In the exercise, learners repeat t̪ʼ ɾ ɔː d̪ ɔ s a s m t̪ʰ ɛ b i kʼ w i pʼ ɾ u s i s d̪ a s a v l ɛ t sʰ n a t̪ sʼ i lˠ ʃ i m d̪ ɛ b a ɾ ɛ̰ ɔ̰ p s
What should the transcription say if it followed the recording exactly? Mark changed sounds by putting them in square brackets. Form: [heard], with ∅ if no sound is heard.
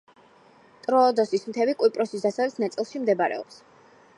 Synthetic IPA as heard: t̪ʼ ɾ ɔː d̪ ɔ s [i] s m t̪ʰ ɛ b i kʼ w i pʼ ɾ [ɔ] s i s d̪ a s a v l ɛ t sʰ n a t̪ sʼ i lˠ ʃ i m d̪ ɛ b a ɾ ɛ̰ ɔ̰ p s

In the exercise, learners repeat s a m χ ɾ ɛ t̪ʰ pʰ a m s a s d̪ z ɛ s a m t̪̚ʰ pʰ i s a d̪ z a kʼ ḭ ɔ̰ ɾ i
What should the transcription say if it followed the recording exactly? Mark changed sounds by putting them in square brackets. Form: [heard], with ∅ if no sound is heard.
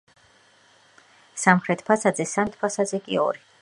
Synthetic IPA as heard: s a m χ ɾ ɛ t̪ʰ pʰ a [∅] s a [∅] d̪ z ɛ s a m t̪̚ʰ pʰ [a] s a d̪ z [ɛ] kʼ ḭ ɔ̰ ɾ i

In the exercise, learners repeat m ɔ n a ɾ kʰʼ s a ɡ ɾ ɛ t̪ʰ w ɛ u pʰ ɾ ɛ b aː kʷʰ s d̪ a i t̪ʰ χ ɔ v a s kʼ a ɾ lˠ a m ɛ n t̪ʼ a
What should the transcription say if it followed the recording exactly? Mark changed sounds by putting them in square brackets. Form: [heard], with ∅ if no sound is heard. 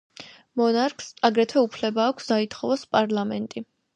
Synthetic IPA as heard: m ɔ n a ɾ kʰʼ s a ɡ ɾ ɛ t̪ʰ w ɛ u pʰ [l] ɛ b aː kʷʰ s d̪ a i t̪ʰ χ ɔ v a s [pʼ] a ɾ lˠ a m ɛ n t̪ʼ [i]

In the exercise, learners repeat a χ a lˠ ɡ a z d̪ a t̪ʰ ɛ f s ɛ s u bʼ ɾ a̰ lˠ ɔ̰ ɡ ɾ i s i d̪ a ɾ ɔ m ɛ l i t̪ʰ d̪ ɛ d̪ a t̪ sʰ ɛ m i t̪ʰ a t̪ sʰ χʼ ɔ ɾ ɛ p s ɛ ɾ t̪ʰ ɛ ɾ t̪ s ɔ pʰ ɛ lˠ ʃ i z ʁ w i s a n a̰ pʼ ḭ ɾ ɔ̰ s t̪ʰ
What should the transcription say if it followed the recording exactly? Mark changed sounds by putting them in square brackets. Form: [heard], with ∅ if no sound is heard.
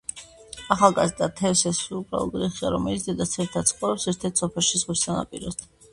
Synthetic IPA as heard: a χ a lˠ ɡ a z d̪ a t̪ʰ ɛ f s ɛ s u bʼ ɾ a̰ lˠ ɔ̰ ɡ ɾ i [χ] i [∅] a ɾ ɔ m ɛ l i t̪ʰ d̪ ɛ d̪ a t̪ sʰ ɛ m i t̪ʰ a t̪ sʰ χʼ ɔ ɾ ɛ p s ɛ ɾ t̪ʰ ɛ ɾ t̪ s ɔ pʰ ɛ lˠ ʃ i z ʁ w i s a n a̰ pʼ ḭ ɾ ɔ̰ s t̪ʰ

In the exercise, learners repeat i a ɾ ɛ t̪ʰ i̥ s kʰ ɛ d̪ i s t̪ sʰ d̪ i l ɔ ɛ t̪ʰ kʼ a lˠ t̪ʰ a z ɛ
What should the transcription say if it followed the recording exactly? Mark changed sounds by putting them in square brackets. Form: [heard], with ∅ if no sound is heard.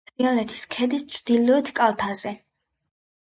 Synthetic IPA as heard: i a [l] ɛ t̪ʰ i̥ s kʰ ɛ d̪ i s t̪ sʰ d̪ i l ɔ ɛ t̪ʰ kʼ a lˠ t̪ʰ a z ɛ

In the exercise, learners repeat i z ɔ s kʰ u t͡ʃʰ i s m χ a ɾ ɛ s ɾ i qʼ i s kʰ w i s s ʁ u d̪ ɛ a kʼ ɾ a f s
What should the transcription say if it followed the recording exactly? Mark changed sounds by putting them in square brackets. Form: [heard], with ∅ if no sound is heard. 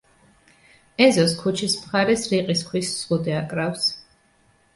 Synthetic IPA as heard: [ɛ] z ɔ s kʰ u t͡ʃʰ i s m χ a ɾ ɛ s ɾ i qʼ i s kʰ w i s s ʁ u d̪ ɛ a kʼ ɾ a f s

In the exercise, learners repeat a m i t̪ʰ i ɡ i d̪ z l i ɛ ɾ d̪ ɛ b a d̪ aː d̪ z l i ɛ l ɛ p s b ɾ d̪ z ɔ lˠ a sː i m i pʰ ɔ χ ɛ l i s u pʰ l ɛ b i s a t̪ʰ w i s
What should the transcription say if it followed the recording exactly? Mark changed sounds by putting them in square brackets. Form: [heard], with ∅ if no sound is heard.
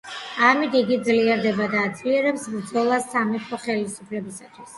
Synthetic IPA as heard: a m i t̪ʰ i ɡ i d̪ z l i ɛ ɾ d̪ ɛ b a d̪ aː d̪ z l i ɛ [ɾ] ɛ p s b ɾ d̪ z ɔ lˠ a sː [a] m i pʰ ɔ χ ɛ l i s u pʰ l ɛ b i s a t̪ʰ w i s

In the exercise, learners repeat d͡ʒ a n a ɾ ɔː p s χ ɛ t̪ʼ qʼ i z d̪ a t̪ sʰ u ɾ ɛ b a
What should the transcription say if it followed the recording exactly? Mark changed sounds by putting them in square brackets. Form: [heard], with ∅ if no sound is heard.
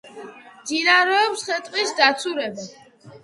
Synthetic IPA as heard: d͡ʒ [i] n a ɾ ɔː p s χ ɛ t̪ʼ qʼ i [s] d̪ a t̪ sʰ u ɾ ɛ b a

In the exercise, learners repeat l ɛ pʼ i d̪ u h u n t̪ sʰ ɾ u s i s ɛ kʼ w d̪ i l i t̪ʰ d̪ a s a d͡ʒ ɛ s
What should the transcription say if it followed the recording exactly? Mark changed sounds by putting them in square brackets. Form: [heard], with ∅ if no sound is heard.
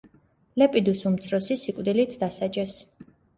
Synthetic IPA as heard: l ɛ pʼ i d̪ u [s] u [m] t̪ sʰ ɾ [ɔ] s i s [i] kʼ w d̪ i l i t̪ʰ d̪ a s a d͡ʒ ɛ s

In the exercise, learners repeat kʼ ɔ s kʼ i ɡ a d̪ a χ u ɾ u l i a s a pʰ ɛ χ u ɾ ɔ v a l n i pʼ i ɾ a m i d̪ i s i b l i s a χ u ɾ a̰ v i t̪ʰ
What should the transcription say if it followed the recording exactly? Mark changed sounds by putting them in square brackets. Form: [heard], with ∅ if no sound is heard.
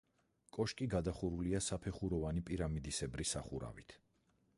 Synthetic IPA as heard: kʼ ɔ [ʃ] kʼ i ɡ a d̪ a χ u ɾ u l i a s a pʰ ɛ χ u ɾ ɔ v a [∅] n i pʼ i ɾ a m i d̪ i s [ɛ] b [ɾ] i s a χ u ɾ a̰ v i t̪ʰ

